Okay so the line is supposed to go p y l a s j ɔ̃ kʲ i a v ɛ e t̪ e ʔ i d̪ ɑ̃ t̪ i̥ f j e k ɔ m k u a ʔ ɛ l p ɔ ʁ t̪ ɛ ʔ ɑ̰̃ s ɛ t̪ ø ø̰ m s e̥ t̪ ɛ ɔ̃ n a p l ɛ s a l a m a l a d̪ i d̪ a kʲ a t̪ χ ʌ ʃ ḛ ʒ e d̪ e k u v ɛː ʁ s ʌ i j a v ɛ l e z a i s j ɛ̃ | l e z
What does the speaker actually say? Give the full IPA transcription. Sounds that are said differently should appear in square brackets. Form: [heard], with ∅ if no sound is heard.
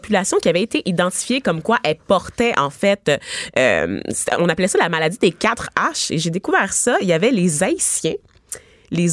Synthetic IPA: p y l a s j ɔ̃ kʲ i a v ɛ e t̪ e ʔ i d̪ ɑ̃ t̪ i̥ f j e k ɔ m k [w] a ʔ ɛ l p ɔ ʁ t̪ ɛ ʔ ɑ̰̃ [f] ɛ t̪ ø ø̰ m s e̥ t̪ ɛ ɔ̃ n a p l ɛ s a l a m a l a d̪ i d̪ [e] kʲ a t̪ χ [a] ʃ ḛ ʒ e d̪ e k u v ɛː ʁ s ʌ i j a v ɛ l e z a i s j ɛ̃ | l e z